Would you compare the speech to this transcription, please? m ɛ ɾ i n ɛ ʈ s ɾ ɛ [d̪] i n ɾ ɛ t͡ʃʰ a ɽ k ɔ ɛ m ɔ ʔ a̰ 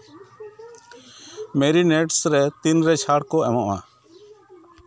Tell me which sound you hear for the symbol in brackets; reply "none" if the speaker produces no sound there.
t̪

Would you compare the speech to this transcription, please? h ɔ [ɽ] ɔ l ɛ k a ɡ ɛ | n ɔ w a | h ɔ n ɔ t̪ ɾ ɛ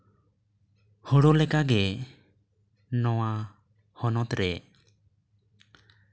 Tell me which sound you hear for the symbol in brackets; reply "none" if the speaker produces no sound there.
ɽ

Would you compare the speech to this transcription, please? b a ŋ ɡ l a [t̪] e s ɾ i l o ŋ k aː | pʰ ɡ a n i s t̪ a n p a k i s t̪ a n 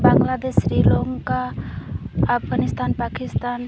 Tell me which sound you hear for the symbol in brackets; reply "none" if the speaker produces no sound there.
d̪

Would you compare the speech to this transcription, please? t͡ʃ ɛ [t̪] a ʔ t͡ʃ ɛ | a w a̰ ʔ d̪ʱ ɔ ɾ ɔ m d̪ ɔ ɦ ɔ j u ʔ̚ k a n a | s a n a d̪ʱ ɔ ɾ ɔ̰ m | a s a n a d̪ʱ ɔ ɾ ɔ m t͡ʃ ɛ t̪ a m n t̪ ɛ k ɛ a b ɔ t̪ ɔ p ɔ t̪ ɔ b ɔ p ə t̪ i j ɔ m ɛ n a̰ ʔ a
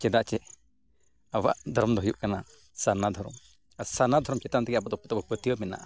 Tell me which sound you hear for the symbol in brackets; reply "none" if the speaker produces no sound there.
d̪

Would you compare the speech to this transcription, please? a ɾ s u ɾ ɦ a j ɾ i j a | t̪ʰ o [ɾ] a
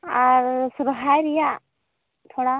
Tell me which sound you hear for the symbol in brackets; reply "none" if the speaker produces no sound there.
ɽ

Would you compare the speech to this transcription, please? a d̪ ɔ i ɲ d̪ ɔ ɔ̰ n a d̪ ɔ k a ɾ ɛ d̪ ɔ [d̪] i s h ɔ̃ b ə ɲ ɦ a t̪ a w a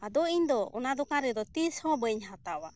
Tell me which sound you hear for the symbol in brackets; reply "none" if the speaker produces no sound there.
t̪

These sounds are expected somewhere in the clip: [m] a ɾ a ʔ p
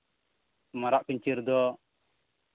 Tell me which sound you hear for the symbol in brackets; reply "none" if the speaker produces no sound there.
m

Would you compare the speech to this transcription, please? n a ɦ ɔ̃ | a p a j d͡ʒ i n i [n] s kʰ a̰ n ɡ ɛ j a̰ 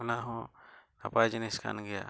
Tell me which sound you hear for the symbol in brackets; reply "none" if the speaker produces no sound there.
none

